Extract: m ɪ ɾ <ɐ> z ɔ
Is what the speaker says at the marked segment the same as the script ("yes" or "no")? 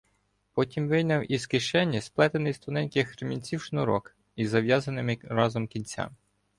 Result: no